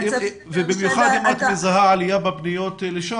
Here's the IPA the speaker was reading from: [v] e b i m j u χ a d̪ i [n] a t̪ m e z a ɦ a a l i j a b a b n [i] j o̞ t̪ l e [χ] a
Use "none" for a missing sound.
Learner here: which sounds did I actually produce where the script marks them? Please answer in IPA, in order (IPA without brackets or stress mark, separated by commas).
v, m, i, ʃ